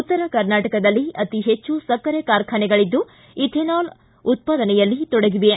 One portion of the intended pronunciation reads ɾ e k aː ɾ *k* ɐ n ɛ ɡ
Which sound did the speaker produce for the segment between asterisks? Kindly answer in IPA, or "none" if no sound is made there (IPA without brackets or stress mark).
kʰ